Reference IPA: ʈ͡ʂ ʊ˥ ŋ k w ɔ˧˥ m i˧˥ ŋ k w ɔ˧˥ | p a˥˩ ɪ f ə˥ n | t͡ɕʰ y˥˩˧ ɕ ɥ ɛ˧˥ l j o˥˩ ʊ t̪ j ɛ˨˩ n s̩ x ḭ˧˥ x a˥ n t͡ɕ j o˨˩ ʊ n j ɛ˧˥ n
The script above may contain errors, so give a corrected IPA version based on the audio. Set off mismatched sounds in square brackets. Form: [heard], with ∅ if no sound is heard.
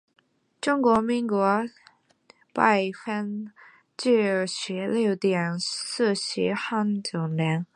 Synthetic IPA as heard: ʈ͡ʂ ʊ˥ ŋ k w ɔ˧˥ m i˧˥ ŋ k w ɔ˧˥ | p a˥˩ ɪ f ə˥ n | [t͡ɕ] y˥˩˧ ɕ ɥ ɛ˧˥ l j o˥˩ ʊ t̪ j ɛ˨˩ n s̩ [ɕ] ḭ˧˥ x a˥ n t͡ɕ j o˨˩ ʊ n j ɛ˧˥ n